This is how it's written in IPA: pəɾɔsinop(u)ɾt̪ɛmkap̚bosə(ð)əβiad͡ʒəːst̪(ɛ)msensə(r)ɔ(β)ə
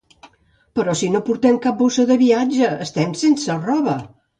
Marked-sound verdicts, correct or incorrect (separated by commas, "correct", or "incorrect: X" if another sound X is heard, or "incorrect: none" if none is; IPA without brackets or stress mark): correct, correct, correct, correct, correct